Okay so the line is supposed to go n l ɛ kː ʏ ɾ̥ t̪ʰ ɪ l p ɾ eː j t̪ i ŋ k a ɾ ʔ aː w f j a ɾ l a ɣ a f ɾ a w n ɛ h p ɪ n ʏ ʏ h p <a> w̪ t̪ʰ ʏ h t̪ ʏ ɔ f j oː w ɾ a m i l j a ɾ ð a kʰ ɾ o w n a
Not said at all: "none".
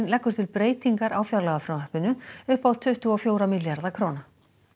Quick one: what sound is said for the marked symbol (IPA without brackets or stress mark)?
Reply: a